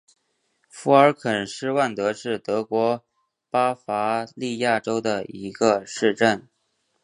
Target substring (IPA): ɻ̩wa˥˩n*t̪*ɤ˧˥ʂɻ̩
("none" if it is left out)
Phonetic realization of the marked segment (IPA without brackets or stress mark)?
t̪